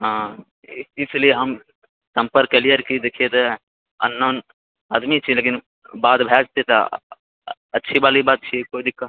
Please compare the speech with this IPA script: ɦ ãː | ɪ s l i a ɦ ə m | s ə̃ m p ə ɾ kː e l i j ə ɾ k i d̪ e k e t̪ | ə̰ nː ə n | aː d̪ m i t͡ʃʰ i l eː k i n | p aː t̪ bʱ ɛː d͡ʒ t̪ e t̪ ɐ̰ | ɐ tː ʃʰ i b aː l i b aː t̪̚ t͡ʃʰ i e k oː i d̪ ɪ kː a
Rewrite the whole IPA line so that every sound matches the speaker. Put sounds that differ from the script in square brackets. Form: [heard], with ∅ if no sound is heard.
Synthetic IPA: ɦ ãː | ɪ s l i [e] ɦ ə m | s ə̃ m p ə ɾ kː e l i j ə ɾ k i d̪ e [kʰ] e t̪ | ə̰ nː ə n | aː d̪ m i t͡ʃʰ i l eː k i n | [b] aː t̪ bʱ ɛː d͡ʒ t̪ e t̪ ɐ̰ | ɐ tː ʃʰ i b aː l i b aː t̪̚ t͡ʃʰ i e k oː i d̪ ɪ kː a